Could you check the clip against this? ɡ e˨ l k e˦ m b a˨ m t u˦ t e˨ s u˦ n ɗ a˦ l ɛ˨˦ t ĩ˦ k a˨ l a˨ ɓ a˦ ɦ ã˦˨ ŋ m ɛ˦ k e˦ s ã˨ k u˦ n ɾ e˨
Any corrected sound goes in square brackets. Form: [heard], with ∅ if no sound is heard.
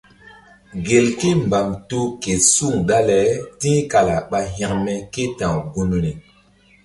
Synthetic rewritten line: ɡ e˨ l k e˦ m b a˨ m t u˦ [k] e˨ s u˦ [ŋ] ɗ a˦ l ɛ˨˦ t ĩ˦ k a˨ l a˨ ɓ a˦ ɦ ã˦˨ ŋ m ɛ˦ k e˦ [t] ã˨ [ɡ] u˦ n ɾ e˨